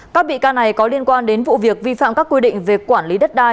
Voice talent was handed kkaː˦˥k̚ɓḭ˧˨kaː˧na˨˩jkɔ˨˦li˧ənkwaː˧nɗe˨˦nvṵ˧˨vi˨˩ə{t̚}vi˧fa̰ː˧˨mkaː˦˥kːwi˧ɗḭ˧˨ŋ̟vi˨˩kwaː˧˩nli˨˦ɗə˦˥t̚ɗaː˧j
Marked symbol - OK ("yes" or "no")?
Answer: no